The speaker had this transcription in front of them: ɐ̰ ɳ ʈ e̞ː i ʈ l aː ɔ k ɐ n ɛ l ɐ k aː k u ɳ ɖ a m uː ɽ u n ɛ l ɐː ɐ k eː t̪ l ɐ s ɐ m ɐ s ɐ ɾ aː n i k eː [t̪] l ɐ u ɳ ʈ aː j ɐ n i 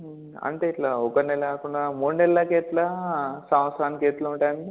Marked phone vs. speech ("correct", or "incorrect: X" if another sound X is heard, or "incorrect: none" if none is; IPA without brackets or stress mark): correct